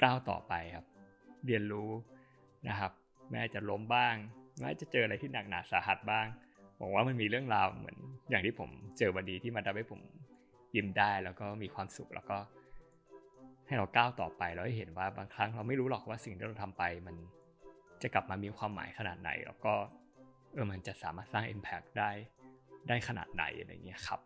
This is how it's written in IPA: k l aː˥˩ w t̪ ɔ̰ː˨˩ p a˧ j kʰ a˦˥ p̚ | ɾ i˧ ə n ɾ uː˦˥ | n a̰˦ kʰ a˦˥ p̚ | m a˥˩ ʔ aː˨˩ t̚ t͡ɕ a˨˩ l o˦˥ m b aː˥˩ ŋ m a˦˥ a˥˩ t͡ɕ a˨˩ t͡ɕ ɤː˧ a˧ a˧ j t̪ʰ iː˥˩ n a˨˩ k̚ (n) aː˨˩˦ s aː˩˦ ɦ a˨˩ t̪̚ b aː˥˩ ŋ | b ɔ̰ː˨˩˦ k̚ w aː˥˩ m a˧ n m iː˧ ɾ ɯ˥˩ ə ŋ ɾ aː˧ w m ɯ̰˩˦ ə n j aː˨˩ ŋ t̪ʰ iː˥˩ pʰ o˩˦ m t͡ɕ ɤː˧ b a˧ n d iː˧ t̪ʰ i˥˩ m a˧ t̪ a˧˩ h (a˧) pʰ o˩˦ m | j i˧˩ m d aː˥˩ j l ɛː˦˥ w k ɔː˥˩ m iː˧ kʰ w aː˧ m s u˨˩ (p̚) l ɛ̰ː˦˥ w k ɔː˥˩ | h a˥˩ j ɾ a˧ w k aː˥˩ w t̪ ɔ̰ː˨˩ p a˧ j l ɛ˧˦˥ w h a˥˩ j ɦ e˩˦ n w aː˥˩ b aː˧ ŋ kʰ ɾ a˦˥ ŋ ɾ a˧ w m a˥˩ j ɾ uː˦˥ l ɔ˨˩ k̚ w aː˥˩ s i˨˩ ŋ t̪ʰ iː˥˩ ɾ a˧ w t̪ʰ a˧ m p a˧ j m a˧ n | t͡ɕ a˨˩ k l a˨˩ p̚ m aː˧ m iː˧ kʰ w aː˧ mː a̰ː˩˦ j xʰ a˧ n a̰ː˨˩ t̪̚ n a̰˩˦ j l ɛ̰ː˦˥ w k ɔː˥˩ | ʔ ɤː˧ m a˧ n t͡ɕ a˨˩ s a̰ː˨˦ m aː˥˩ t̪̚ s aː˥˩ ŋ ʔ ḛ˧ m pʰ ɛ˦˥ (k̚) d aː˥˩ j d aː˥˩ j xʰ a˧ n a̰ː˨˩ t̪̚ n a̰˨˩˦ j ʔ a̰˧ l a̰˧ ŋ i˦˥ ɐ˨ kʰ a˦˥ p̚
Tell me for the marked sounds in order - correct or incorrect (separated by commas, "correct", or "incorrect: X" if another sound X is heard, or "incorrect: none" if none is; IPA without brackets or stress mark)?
correct, incorrect: a˥˩, incorrect: k̚, correct